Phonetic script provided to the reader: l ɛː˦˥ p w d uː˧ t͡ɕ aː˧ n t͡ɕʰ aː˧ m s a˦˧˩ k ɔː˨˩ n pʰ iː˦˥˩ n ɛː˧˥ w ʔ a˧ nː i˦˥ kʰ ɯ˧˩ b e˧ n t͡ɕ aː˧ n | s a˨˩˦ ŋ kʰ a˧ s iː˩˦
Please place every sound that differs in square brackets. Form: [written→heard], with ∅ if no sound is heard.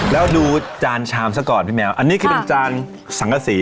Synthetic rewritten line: l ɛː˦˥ [p→∅] w d uː˧ t͡ɕ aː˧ n t͡ɕʰ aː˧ m s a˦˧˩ k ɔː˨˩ n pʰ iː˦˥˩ [n→m] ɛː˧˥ w ʔ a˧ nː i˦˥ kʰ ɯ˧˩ [b→p] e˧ n t͡ɕ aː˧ n | s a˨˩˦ ŋ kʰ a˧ s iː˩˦